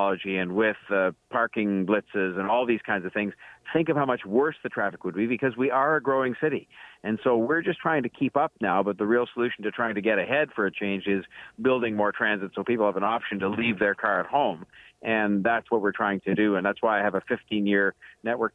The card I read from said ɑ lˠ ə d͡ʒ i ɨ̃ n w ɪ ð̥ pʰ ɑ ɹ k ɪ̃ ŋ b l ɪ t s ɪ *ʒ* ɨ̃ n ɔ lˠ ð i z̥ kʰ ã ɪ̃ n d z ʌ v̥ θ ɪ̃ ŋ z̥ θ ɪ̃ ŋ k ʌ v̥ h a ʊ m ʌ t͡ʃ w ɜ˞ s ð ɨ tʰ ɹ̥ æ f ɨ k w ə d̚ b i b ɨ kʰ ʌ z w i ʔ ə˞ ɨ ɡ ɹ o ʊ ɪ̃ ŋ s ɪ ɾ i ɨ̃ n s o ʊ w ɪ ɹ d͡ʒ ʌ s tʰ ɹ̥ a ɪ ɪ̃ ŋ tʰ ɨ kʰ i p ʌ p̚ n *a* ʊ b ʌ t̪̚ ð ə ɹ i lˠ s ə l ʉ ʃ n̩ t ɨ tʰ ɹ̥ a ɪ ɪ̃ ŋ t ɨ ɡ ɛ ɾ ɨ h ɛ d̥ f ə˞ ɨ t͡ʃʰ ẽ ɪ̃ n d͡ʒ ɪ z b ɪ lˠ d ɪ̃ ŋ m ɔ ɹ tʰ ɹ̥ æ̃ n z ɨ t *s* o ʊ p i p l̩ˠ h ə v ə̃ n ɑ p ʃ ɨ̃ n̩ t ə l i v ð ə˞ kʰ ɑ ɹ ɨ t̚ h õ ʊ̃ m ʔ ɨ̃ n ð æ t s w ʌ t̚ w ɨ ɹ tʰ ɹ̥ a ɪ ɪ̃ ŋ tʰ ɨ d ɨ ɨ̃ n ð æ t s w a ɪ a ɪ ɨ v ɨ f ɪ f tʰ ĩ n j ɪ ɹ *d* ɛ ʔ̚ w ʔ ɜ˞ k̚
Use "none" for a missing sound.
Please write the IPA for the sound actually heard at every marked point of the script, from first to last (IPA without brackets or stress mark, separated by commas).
z, a, s, n